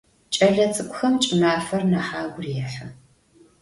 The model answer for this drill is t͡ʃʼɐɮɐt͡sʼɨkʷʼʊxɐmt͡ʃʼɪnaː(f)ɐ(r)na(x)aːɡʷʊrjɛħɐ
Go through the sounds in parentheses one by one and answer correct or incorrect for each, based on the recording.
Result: correct, correct, incorrect: ħ

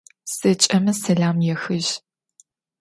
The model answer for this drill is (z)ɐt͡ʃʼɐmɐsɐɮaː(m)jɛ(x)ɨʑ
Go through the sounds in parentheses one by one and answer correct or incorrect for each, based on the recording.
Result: incorrect: s, correct, correct

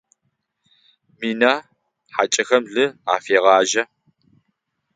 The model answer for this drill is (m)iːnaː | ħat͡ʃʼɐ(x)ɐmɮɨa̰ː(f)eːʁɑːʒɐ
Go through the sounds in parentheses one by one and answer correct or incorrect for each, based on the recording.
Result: correct, correct, correct

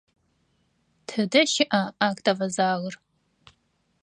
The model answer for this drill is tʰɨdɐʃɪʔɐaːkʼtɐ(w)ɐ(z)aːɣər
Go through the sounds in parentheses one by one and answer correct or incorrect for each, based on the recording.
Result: incorrect: v, correct

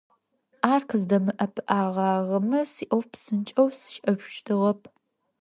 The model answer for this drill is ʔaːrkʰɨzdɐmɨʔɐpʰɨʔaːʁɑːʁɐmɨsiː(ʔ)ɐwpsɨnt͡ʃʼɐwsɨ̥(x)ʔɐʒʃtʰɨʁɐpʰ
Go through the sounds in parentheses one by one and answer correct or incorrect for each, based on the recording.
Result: correct, incorrect: ʃ

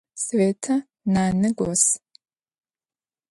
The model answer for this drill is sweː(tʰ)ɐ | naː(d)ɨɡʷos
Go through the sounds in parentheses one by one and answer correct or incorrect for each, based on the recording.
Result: correct, incorrect: n

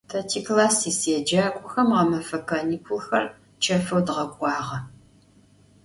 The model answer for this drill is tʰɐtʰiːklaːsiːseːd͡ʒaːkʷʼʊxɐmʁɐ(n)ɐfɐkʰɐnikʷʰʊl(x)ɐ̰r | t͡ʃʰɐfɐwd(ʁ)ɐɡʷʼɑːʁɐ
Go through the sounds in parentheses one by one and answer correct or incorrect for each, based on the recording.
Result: incorrect: m, correct, correct

